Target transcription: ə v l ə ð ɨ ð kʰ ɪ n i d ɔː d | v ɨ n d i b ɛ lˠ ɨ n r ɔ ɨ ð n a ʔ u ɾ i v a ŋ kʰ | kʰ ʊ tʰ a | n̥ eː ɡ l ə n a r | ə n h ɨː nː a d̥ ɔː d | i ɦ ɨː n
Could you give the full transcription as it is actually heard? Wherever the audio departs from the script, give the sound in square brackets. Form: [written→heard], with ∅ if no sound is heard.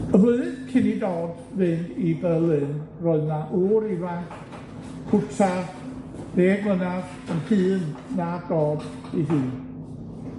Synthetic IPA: ə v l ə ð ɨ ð kʰ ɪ n i d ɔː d | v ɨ n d i b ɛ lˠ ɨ n r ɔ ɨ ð n a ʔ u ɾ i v a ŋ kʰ | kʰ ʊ tʰ a | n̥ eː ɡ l ə n a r | ə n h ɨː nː a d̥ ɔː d | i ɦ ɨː n